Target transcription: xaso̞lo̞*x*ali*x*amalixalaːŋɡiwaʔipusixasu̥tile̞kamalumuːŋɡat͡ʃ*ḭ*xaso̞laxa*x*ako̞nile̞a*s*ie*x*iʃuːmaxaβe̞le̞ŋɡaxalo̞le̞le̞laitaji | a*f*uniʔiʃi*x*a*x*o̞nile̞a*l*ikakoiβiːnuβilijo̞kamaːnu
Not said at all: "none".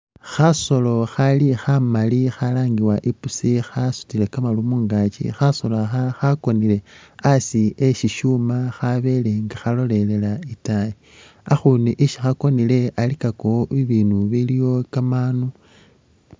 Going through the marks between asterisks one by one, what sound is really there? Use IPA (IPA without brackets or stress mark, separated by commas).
x, x, ḭ, x, s, ʃ, x, x, k, l